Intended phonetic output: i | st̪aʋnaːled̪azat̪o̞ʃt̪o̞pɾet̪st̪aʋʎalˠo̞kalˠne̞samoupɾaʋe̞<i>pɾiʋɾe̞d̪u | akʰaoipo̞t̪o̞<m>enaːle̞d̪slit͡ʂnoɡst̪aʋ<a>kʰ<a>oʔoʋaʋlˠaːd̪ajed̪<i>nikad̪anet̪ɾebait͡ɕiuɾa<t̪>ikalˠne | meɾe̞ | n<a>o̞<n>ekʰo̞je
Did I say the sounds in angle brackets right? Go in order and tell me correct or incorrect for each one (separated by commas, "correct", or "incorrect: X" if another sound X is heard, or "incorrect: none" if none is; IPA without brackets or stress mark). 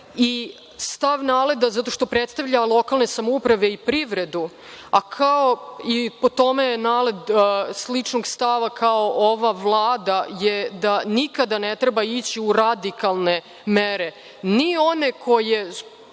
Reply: correct, correct, correct, correct, incorrect: a, incorrect: d̪, incorrect: i, correct